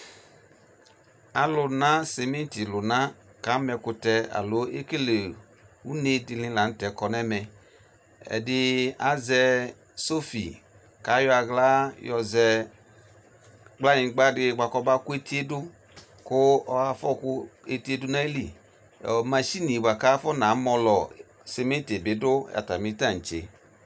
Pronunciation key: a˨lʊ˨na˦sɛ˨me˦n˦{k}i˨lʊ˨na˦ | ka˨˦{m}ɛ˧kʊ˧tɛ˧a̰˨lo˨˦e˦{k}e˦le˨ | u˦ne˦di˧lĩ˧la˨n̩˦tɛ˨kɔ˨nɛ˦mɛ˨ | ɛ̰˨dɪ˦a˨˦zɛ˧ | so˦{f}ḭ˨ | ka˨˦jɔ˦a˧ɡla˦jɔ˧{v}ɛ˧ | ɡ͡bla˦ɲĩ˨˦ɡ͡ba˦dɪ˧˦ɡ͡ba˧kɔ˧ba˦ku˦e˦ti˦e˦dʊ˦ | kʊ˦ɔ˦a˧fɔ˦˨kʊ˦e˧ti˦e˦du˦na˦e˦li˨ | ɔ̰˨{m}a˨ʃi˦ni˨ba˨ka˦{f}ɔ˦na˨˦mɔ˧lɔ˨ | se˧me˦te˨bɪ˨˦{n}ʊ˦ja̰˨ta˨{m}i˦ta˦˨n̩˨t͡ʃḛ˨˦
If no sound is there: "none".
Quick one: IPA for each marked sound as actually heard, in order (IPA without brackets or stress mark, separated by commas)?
t, m, k, f, z, m, f, d, m